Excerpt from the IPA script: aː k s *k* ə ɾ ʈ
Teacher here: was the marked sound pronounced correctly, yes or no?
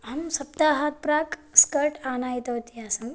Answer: yes